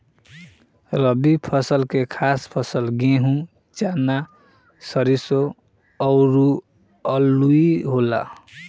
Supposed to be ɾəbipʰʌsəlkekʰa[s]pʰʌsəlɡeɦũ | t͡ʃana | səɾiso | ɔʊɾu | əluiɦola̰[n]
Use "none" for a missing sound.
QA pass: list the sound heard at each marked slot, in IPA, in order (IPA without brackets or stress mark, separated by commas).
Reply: s, none